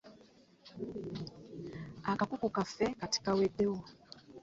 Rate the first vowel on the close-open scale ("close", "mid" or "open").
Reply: open